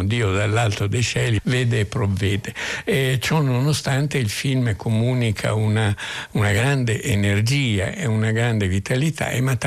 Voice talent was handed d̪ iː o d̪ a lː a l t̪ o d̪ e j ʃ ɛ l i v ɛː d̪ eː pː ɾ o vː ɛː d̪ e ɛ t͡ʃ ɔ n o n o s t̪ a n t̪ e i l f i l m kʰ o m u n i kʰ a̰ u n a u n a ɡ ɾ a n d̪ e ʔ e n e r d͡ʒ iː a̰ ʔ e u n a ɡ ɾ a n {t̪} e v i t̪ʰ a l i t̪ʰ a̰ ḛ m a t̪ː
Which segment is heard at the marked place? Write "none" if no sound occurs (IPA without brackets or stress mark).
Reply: d̪